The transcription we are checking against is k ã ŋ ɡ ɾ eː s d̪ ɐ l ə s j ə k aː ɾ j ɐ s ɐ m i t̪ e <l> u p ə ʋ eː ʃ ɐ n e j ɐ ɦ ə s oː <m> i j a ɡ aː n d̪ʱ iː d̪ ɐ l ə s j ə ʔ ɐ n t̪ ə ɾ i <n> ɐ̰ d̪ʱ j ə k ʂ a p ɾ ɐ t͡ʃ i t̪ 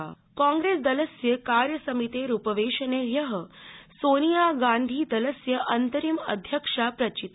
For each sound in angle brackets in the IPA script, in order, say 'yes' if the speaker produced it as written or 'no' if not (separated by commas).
no, no, no